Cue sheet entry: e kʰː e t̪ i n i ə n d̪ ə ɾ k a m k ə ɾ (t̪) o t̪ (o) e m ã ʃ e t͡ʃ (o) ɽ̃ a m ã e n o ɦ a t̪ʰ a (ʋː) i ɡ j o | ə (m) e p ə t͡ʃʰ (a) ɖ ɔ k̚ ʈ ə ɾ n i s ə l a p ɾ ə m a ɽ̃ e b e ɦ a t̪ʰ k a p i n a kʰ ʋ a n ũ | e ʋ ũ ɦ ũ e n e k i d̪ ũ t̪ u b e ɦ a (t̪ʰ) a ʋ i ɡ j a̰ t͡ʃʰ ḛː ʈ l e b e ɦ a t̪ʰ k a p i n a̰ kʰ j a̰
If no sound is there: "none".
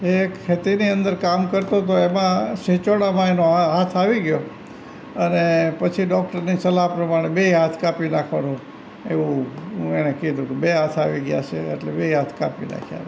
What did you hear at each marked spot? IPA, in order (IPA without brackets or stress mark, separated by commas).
t̪, o, o, ʋ, n, i, t̪ʰ